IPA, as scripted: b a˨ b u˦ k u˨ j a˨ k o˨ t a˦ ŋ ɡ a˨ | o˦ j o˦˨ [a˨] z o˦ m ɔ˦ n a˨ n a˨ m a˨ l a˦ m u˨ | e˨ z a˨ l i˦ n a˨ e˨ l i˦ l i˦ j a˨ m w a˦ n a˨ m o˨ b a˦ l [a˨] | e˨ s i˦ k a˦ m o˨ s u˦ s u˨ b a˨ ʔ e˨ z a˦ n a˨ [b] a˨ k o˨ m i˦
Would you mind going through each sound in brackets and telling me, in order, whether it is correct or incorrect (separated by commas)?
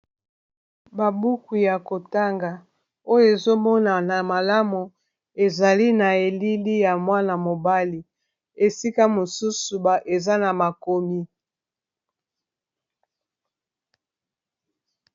incorrect, incorrect, incorrect